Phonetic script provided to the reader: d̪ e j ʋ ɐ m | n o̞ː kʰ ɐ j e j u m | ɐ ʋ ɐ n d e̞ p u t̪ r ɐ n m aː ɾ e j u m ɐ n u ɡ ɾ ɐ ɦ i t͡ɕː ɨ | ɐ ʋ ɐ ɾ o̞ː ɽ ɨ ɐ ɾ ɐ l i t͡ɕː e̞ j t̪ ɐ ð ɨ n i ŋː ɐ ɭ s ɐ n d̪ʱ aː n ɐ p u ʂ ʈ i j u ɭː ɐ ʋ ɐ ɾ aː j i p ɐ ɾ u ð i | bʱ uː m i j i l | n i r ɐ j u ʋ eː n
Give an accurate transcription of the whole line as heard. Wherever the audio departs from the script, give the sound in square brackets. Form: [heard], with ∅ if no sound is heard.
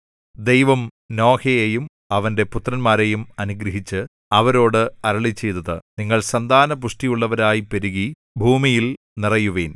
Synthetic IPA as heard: d̪ e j ʋ ɐ m | n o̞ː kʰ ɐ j e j u m | ɐ ʋ ɐ n d e̞ p u t̪ r ɐ n m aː ɾ e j u m ɐ n u ɡ ɾ ɐ ɦ i t͡ɕː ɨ | ɐ ʋ ɐ ɾ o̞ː ɽ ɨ ɐ ɾ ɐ [ɭ] i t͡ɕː e̞ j t̪ ɐ ð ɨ n i ŋː ɐ ɭ s ɐ n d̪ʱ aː n ɐ p u ʂ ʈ i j u ɭː ɐ ʋ ɐ ɾ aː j i p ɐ ɾ u [ɣ] i | bʱ uː m i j i l | n i r ɐ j u ʋ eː n